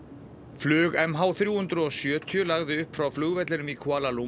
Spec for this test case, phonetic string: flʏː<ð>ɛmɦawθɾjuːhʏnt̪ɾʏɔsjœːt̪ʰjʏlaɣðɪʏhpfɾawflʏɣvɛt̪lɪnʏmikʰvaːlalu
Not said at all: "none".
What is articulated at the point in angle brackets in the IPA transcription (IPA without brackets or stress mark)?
ɣ